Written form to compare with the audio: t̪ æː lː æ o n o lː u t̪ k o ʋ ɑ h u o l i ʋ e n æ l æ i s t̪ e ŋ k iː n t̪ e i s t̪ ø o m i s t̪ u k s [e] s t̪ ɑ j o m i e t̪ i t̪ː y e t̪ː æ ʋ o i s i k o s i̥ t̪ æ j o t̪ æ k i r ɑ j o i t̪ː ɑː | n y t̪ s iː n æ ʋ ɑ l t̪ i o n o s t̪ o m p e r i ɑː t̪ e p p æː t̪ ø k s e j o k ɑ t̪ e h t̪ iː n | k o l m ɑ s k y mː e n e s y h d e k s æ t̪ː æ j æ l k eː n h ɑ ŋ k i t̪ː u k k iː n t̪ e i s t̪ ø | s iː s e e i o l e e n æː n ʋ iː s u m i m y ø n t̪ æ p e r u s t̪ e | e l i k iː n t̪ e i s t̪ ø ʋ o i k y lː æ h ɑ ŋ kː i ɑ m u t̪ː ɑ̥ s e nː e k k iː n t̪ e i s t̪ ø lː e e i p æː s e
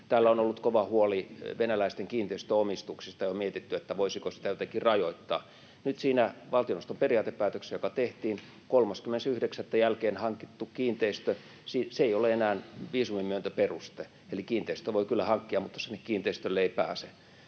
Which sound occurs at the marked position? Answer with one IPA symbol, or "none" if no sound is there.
i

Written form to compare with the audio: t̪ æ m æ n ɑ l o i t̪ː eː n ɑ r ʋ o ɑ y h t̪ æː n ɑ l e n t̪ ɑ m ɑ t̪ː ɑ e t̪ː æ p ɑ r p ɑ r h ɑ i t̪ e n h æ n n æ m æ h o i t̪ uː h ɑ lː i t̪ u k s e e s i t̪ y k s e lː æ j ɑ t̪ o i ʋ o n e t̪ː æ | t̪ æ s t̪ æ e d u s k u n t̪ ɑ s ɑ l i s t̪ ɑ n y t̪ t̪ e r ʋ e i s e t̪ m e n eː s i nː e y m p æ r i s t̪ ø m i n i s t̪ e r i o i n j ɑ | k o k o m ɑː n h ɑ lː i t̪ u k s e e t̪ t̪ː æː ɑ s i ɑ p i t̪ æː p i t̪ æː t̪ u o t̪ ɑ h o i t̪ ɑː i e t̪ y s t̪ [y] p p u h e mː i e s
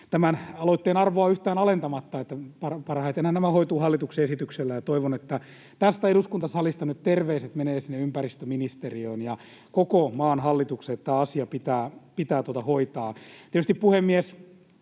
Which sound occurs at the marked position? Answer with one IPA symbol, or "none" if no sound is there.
i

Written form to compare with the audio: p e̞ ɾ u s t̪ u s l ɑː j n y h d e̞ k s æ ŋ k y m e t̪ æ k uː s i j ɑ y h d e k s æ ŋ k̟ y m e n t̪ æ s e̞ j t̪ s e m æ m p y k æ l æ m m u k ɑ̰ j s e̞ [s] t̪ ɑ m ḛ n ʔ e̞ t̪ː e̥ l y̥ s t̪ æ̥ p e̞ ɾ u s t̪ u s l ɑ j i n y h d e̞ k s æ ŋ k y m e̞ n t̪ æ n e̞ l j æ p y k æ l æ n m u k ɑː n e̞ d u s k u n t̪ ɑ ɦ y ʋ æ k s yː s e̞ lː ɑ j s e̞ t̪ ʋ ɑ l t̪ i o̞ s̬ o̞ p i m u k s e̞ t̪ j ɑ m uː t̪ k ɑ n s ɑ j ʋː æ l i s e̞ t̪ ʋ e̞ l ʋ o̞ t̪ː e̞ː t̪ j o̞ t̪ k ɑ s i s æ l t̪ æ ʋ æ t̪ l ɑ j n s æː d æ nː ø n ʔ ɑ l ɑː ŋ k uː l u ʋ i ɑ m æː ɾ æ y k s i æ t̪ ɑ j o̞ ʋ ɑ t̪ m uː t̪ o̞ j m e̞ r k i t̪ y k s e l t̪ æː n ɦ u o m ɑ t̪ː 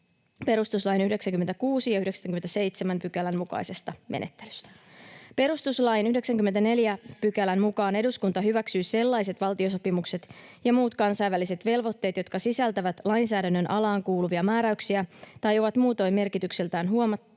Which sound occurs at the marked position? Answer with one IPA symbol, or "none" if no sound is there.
s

